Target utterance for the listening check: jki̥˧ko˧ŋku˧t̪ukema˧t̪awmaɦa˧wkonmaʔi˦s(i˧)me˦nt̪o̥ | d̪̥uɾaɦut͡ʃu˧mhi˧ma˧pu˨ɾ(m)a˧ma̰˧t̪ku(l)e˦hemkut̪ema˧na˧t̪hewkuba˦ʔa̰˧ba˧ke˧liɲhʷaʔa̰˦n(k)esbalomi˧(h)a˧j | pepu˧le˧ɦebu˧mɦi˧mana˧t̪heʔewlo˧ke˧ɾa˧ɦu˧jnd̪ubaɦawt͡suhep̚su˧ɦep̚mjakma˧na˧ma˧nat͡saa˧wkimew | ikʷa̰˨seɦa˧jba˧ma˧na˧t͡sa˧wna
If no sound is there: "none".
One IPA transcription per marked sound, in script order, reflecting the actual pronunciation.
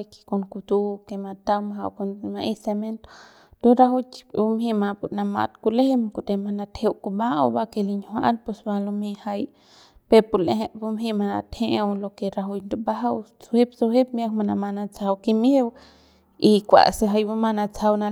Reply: e˧, n, l, p, h

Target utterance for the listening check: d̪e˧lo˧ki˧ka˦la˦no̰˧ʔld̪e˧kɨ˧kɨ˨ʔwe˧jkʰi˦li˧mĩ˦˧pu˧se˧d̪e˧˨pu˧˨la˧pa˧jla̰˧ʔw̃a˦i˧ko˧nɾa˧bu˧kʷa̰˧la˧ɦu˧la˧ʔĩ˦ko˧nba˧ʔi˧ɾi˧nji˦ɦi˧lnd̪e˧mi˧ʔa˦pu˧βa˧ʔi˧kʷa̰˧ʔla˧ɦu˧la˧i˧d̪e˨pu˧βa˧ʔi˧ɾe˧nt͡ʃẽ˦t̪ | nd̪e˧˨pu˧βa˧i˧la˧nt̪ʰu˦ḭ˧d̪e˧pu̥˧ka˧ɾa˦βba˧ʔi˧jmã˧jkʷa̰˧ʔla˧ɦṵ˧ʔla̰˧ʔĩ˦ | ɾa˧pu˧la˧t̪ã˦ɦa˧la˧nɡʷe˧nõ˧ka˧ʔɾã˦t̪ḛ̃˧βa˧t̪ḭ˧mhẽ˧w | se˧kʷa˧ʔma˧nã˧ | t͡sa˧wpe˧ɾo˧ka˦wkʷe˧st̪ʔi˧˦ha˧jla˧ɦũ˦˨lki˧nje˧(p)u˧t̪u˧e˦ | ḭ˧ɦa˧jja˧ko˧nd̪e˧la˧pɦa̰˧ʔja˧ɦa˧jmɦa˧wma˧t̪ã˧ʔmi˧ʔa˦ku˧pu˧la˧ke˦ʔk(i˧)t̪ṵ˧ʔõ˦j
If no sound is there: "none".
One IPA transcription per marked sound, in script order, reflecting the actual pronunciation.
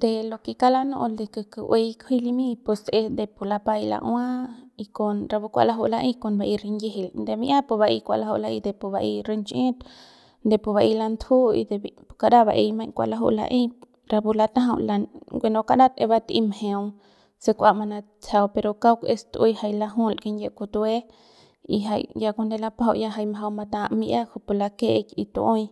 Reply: k, i˧

